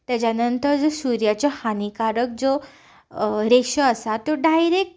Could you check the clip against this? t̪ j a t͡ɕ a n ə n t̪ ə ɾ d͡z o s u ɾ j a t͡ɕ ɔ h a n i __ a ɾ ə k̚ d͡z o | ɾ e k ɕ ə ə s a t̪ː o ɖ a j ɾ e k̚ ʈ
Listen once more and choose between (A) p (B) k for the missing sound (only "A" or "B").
B